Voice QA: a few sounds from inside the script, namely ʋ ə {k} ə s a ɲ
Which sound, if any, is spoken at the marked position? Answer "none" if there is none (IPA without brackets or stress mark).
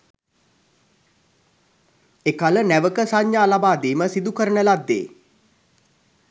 k